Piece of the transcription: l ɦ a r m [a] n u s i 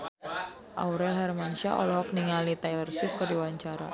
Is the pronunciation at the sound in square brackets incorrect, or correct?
correct